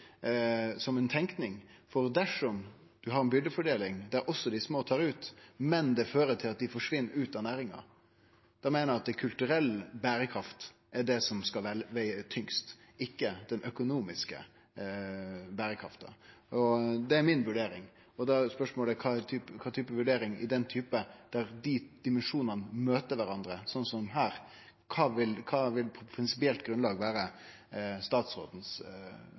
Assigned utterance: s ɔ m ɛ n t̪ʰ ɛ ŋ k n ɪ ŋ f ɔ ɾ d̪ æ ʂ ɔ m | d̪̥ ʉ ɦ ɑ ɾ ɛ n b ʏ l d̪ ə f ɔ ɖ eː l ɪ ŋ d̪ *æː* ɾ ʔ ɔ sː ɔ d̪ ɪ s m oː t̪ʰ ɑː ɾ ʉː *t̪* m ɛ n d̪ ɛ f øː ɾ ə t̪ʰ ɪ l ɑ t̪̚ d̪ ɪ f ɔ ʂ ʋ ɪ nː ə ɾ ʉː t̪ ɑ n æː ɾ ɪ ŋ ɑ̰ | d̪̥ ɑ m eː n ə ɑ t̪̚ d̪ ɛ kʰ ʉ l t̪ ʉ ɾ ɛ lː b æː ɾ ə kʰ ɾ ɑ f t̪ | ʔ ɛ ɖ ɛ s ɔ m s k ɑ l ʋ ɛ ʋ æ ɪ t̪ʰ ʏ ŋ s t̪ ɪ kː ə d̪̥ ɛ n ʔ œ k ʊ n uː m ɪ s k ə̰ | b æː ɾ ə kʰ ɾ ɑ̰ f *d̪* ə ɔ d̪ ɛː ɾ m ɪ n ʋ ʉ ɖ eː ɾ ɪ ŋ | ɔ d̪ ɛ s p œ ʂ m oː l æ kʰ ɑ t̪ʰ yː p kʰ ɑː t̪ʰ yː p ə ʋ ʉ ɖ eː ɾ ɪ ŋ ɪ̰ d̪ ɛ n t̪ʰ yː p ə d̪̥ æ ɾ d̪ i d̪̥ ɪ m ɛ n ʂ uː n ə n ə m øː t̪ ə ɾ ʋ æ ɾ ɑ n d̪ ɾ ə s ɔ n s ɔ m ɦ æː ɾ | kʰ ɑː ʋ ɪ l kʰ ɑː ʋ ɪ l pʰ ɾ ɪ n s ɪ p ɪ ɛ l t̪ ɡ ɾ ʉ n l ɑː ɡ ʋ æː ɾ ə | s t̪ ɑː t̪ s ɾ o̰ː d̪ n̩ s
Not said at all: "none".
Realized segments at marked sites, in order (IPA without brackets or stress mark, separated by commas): æ, t̪, t̪